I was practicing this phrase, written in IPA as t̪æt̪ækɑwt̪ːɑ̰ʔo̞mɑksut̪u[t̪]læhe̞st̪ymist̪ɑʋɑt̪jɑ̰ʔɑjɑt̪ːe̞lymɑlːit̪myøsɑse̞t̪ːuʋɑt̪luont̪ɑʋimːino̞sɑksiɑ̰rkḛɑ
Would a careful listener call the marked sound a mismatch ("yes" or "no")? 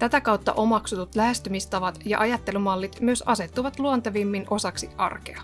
no